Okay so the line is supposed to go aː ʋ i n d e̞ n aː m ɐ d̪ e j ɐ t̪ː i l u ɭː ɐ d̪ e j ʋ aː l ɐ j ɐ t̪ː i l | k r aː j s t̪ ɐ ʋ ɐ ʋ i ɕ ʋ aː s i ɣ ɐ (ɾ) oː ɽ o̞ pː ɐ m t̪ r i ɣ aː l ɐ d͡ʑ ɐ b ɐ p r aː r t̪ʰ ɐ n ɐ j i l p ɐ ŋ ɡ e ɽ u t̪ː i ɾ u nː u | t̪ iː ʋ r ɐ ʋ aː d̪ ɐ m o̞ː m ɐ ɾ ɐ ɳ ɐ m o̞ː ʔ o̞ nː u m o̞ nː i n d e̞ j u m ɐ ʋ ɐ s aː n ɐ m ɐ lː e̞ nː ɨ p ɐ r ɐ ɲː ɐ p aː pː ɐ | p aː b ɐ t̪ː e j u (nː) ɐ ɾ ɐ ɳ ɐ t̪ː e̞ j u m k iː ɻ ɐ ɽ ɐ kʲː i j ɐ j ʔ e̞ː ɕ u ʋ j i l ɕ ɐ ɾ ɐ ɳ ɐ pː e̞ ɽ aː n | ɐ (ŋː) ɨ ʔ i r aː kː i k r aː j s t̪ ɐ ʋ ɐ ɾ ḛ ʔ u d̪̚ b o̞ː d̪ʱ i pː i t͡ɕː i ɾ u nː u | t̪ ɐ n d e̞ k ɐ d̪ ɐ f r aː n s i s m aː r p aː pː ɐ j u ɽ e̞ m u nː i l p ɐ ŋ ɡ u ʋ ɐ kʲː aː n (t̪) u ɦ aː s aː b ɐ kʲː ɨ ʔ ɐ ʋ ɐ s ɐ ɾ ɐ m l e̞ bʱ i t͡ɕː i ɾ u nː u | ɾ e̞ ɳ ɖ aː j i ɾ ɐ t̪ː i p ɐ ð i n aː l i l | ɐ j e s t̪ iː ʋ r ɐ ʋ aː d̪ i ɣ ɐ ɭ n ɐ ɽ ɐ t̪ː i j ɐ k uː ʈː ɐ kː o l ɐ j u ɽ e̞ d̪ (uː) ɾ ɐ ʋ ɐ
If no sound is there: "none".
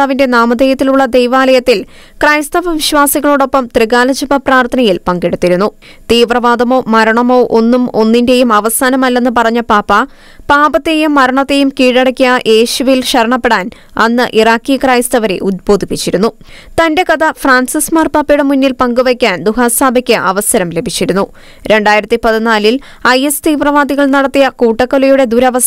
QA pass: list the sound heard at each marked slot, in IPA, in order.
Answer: ɭ, mː, nː, d̪, u

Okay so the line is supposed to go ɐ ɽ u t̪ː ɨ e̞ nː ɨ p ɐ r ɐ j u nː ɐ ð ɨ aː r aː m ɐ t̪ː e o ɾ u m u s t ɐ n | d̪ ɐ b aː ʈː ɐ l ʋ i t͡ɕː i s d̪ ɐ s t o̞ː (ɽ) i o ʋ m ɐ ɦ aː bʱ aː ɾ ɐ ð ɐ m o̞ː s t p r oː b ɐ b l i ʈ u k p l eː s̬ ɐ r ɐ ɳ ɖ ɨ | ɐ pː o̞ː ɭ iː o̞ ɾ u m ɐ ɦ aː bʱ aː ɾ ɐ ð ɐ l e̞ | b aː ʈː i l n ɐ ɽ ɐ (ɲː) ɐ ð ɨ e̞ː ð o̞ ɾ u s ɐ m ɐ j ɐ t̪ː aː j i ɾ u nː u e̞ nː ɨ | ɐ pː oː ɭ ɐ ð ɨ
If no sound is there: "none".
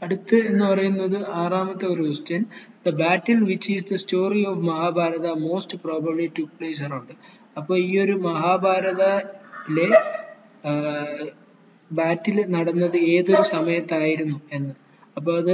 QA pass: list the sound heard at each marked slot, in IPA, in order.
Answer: r, nː

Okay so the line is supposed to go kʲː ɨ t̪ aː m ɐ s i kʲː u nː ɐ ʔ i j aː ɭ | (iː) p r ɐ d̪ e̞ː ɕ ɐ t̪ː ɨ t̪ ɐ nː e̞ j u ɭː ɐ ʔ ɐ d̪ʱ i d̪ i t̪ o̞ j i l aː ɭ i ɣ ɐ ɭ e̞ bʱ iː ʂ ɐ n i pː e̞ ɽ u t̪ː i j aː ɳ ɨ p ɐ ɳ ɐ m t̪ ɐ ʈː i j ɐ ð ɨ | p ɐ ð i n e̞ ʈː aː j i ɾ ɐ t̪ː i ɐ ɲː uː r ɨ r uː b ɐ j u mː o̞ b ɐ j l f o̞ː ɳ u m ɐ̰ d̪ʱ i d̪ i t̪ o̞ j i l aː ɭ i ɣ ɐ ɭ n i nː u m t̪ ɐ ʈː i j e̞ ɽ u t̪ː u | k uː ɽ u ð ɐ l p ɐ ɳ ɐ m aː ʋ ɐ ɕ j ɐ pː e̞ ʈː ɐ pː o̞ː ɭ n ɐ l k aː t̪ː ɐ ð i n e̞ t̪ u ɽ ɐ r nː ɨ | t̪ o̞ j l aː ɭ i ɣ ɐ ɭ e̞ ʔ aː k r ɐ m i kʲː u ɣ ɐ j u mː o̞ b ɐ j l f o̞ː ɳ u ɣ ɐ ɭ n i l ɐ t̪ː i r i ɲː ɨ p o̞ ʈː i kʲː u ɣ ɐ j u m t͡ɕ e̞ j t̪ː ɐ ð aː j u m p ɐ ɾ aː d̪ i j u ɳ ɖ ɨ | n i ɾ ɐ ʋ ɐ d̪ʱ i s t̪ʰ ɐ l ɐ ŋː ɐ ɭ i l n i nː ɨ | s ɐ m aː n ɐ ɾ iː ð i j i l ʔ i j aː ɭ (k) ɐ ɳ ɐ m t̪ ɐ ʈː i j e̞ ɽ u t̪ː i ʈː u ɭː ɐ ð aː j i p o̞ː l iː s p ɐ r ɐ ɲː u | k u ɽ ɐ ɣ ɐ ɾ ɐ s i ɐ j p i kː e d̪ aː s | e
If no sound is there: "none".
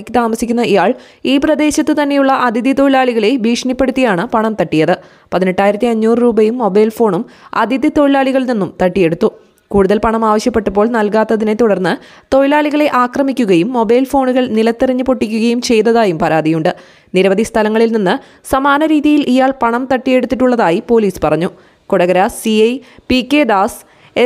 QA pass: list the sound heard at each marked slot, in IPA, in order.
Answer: iː, p

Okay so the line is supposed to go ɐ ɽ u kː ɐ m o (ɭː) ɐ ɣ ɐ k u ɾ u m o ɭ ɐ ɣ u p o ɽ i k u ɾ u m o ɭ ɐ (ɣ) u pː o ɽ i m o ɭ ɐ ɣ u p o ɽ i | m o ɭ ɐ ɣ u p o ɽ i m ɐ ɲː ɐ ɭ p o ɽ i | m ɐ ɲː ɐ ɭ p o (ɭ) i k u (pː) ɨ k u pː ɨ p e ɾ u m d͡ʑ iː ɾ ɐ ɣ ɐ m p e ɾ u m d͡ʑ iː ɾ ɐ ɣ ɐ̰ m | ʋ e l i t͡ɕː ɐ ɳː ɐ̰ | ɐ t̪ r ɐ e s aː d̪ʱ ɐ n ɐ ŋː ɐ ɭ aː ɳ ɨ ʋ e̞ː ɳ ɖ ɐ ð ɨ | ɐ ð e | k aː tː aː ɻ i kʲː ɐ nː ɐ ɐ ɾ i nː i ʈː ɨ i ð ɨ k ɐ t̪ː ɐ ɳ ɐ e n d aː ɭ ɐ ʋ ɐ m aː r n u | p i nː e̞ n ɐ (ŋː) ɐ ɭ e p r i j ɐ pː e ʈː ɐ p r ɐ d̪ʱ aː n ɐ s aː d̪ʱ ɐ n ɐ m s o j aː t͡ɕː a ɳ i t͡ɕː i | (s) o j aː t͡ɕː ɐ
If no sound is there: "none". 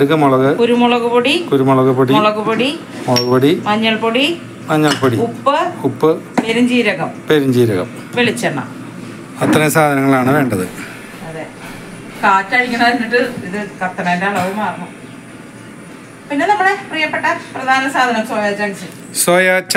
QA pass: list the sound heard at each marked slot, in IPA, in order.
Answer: ɭ, ɣ, ɽ, pː, mː, s

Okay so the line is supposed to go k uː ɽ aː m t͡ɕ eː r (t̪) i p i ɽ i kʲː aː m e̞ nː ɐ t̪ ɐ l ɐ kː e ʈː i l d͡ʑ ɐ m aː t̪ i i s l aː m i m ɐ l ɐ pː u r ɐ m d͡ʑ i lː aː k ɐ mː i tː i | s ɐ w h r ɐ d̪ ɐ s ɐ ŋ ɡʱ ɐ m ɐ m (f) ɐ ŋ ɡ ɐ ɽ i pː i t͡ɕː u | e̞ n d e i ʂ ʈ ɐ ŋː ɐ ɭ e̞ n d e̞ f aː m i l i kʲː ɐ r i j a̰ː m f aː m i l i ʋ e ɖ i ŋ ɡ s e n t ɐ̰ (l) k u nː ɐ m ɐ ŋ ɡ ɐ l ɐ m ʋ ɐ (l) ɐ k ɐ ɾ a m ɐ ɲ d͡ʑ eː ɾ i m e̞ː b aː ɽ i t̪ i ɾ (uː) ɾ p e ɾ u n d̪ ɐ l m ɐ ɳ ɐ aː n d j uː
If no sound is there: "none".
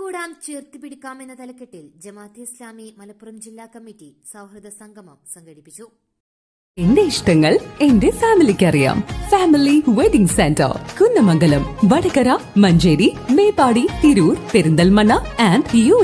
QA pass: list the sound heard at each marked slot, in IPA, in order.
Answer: t̪, s, r, ɽ, uː

